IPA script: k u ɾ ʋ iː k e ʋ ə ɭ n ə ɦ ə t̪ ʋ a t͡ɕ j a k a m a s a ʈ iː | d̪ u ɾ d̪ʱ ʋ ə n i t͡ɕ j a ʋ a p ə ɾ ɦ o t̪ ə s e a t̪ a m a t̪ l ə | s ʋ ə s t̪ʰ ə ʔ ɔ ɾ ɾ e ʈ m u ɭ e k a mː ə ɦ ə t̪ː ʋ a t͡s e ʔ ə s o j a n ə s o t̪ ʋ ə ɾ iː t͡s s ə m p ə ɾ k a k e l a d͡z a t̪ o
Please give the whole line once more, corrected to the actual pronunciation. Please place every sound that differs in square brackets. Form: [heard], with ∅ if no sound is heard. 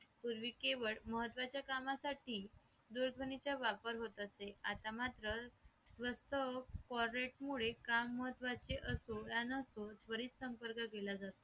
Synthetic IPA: [p] u ɾ ʋ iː k e ʋ ə ɭ [m] ə ɦ ə t̪ ʋ a t͡ɕ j a k a m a s a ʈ iː | d̪ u ɾ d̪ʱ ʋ ə n i t͡ɕ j a ʋ a p ə ɾ ɦ o t̪ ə s e a t̪ a m a t̪ [ɾ] ə | s ʋ ə s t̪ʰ ə [k] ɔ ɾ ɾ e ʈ m u ɭ e k a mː ə ɦ ə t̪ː ʋ a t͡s e ʔ ə s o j a n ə s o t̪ ʋ ə ɾ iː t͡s s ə m p ə ɾ k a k e l a d͡z a t̪ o